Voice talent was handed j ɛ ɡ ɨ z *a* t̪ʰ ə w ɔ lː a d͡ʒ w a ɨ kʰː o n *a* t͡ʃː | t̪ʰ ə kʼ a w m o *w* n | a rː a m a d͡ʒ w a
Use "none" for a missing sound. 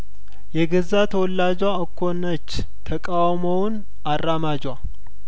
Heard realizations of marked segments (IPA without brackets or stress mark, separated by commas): a, ə, w